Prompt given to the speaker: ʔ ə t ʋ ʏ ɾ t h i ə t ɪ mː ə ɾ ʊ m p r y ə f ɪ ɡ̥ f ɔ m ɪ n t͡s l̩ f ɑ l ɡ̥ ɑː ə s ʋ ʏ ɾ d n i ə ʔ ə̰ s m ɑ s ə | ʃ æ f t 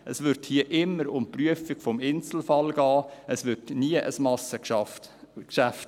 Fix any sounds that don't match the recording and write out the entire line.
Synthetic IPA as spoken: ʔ ə s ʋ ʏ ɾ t h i ə ʔ ɪ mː ə ɾ ʊ m p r y ə f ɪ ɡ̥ f ɔ m ɪ n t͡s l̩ f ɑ l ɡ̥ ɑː ə s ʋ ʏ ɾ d n i ə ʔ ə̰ s m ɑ s ə | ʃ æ f t